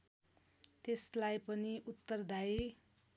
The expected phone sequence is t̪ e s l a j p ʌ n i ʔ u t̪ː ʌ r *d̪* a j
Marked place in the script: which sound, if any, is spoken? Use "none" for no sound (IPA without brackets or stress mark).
d̪